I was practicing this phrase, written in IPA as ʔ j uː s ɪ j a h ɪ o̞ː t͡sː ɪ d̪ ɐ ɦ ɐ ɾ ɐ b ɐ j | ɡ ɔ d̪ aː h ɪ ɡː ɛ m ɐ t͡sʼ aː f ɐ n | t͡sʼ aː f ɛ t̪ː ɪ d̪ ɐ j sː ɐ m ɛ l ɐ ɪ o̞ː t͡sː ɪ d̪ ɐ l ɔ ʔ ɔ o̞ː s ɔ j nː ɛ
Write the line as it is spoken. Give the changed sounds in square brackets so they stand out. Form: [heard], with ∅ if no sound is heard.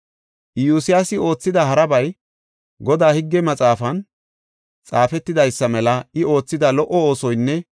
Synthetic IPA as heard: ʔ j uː s ɪ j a [s] ɪ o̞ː t͡sː ɪ d̪ ɐ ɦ ɐ ɾ ɐ b ɐ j | ɡ ɔ d̪ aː h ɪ ɡː ɛ m ɐ t͡sʼ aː f ɐ n | t͡sʼ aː f ɛ t̪ː ɪ d̪ ɐ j sː ɐ m ɛ l ɐ ɪ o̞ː t͡sː ɪ d̪ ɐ l ɔ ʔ ɔ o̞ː s ɔ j nː ɛ

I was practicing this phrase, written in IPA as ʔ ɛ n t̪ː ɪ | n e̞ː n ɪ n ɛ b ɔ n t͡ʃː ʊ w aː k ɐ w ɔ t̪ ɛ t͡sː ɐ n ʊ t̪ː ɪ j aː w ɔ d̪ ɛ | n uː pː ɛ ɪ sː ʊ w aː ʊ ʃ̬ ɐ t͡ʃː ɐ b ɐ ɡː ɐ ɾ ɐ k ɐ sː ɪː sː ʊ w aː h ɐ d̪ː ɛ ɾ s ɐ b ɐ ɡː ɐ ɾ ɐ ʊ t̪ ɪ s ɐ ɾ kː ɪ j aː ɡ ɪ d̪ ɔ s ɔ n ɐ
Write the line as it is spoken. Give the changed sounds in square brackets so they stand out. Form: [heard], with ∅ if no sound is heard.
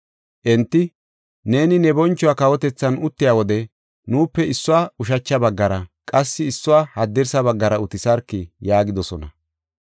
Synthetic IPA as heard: ʔ ɛ n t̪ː ɪ | n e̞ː n ɪ n ɛ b ɔ n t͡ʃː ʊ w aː k ɐ w ɔ t̪ ɛ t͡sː ɐ n ʊ t̪ː ɪ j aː w ɔ d̪ ɛ | n uː pː ɛ ɪ sː ʊ w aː ʊ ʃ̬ ɐ t͡ʃː ɐ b ɐ ɡː ɐ ɾ ɐ [kʼ] ɐ sː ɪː sː ʊ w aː h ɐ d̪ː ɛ ɾ s ɐ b ɐ ɡː ɐ ɾ ɐ ʊ t̪ ɪ s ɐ ɾ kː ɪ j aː ɡ ɪ d̪ ɔ s ɔ n ɐ

